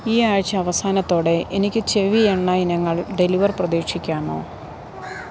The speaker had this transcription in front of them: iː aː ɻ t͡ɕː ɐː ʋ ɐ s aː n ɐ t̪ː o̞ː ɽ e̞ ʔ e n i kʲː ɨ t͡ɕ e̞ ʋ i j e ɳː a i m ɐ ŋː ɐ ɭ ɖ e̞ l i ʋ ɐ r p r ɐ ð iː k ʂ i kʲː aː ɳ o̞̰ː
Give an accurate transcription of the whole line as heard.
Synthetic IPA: iː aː ɻ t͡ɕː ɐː ʋ ɐ s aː n ɐ t̪ː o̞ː ɽ e̞ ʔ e n i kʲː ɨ t͡ɕ e̞ ʋ i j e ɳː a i n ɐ ŋː ɐ ɭ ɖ e̞ l i ʋ ɐ r p r ɐ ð iː k ʂ i kʲː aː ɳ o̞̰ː